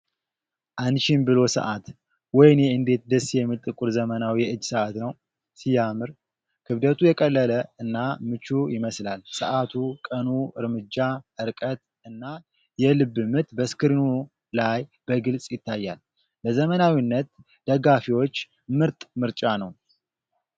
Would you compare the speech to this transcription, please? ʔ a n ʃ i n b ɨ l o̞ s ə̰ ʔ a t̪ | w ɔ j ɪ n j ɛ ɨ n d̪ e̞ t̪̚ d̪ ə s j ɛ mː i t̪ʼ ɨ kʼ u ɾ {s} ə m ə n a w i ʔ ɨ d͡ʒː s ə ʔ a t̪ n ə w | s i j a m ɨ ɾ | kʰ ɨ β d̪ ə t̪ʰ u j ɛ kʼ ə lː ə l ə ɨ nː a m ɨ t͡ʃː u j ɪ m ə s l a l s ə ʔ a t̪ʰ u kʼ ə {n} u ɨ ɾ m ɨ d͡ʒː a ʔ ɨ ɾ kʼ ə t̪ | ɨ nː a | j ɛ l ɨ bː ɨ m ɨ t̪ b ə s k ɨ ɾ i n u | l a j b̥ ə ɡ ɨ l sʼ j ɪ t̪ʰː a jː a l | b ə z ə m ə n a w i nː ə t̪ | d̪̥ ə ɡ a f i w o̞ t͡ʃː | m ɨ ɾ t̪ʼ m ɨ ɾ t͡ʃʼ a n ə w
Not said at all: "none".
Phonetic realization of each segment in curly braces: z, n

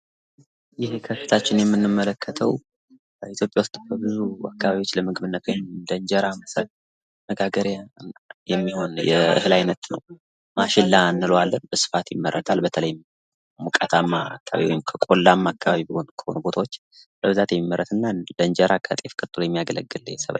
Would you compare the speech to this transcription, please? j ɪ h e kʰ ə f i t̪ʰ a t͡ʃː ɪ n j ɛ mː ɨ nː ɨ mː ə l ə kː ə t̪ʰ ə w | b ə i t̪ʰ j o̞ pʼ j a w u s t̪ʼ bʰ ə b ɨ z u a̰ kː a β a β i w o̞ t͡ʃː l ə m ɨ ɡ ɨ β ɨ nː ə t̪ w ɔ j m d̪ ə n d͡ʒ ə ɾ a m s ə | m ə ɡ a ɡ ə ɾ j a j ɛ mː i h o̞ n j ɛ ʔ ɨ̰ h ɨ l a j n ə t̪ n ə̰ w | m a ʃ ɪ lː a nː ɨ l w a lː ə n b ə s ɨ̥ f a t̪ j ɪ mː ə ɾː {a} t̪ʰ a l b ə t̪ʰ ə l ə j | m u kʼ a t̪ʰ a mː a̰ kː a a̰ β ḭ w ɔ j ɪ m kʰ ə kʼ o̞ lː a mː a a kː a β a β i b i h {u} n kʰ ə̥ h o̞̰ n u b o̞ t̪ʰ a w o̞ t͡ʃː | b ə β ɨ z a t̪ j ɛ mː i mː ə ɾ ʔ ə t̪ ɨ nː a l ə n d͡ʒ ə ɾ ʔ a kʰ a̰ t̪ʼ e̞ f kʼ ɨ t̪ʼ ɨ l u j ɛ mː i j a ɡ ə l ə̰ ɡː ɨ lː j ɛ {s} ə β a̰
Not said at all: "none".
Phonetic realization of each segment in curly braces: ə, o, s

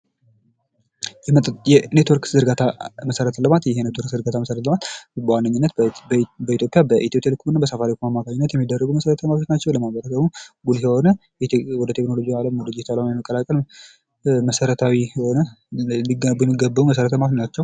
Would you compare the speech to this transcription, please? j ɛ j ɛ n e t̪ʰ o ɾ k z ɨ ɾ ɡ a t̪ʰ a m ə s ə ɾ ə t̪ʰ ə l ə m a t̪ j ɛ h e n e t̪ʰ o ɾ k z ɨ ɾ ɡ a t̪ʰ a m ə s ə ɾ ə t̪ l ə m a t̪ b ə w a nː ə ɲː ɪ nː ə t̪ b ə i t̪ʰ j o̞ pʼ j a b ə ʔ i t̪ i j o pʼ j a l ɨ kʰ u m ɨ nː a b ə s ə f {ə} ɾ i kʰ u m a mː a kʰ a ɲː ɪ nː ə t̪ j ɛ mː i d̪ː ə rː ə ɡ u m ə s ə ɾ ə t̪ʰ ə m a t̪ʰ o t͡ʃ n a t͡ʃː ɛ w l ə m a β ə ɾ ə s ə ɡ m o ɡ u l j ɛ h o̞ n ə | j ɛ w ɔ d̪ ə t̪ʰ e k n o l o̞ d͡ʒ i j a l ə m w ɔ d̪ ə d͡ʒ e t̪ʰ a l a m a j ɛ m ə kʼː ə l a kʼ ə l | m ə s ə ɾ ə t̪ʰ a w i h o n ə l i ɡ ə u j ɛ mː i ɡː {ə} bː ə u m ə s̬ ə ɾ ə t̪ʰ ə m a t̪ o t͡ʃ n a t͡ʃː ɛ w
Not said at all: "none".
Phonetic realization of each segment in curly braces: a, ə

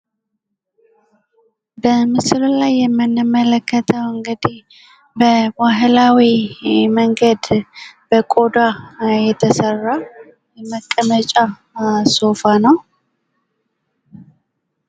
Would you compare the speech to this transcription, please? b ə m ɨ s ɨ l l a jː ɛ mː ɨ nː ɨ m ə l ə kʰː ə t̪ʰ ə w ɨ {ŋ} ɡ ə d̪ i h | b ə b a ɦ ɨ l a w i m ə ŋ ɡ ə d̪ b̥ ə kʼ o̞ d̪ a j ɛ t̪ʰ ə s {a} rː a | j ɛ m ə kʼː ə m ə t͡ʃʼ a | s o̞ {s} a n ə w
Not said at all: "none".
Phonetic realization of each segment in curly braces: ŋ, ə, f

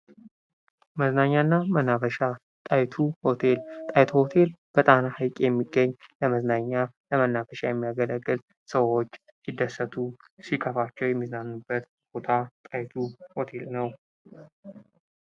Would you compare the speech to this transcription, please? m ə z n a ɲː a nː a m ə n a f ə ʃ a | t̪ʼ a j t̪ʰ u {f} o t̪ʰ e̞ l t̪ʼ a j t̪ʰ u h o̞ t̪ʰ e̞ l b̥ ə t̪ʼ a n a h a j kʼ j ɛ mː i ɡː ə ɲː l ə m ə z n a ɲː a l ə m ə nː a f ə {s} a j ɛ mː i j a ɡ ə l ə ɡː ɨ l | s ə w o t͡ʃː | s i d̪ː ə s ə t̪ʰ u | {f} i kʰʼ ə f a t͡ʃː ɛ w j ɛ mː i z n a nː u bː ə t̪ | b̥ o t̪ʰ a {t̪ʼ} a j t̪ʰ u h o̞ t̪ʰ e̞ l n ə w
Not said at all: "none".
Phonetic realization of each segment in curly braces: h, ʃ, s, t̪ʼ

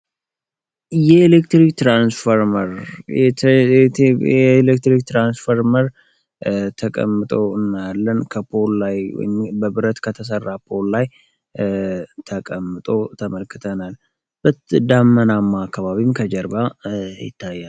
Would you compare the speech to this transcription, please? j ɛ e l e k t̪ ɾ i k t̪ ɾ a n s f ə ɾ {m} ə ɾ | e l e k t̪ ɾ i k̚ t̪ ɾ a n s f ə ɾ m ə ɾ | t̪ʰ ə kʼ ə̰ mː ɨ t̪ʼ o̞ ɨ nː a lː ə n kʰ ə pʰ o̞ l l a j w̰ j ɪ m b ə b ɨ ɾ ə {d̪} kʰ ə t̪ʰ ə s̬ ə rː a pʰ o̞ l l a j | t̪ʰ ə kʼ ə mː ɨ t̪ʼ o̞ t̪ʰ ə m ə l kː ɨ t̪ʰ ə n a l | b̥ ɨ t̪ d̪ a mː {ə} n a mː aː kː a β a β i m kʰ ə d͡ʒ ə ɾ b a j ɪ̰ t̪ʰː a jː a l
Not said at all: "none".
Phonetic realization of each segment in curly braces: m, t̪, ə

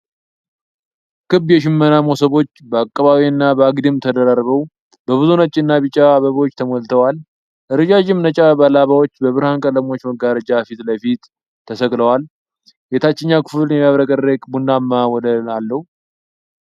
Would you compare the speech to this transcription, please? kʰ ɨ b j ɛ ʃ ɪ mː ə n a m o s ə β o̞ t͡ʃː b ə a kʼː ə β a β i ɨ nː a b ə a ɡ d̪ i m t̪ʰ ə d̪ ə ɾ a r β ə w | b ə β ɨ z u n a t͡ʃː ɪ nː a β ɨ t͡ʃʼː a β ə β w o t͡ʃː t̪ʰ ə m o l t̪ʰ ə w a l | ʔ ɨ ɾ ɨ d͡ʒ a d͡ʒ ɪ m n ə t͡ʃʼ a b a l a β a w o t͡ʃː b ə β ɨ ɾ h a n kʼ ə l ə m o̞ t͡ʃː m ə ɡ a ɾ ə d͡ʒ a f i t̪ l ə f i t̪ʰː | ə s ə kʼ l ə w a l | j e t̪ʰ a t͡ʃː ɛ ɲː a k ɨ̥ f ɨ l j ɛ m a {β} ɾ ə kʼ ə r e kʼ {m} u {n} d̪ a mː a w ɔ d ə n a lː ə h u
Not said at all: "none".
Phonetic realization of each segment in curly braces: β, b, n

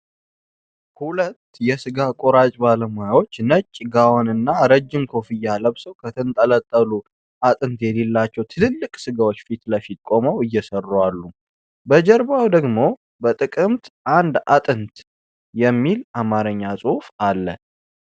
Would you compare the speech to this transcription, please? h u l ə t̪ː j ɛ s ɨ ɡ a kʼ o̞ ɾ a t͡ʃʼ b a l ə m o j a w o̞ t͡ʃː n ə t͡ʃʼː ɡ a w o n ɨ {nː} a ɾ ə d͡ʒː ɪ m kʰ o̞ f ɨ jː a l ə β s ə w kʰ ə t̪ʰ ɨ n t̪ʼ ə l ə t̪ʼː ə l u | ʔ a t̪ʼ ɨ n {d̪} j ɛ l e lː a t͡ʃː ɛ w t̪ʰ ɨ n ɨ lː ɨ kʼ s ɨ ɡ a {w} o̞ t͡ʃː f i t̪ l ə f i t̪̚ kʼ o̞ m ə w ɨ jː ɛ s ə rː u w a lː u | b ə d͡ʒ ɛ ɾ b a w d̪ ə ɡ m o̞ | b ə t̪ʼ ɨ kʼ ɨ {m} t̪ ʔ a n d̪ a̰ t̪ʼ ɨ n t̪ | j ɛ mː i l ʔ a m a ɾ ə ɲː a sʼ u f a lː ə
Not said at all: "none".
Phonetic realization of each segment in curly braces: nː, t̪, w, m

